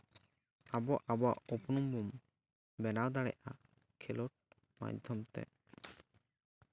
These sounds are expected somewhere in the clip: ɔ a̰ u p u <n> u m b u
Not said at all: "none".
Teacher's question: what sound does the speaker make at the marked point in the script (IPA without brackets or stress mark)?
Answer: n